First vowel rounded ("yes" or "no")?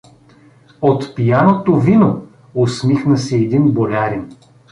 yes